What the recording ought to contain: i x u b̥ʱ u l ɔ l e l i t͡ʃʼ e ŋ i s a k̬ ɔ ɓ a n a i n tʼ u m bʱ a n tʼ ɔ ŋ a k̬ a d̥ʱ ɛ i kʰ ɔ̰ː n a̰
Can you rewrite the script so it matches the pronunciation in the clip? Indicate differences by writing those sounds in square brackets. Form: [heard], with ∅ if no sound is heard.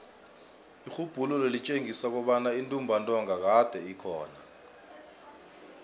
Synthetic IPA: i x u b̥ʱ u l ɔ l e l i t͡ʃʼ e ŋ i s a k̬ ɔ ɓ a n a i n tʼ u m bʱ a n tʼ ɔ ŋ a k̬ a d̥ʱ ɛ i kʰ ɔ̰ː n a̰